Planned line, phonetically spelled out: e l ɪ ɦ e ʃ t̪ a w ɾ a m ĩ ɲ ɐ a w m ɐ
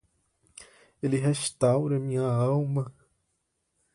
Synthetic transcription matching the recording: e l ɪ ɦ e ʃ t̪ a w ɾ ɐ m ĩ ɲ ɐ a w m ɐ